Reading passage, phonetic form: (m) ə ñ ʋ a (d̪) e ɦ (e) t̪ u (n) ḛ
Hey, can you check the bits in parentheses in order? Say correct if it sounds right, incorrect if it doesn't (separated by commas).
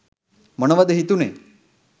correct, correct, incorrect, correct